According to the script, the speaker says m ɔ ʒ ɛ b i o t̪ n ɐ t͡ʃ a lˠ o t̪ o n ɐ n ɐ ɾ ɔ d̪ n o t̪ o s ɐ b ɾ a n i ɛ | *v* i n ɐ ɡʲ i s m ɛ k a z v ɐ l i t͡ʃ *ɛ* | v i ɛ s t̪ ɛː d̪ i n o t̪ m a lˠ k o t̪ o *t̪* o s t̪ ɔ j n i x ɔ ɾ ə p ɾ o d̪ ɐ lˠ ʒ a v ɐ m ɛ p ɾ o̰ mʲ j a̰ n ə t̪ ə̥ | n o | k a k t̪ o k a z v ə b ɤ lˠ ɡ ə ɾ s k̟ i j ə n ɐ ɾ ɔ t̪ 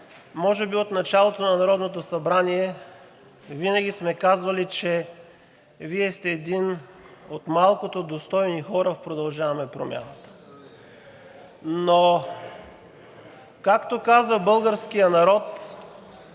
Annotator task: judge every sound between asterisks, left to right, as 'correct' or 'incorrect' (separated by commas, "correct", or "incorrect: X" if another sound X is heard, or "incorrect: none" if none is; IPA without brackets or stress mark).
correct, correct, incorrect: d̪